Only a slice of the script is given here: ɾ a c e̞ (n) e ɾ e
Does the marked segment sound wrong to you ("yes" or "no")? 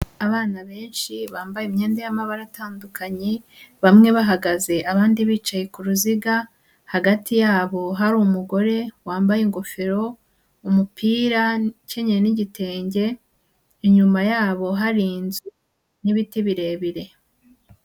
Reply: yes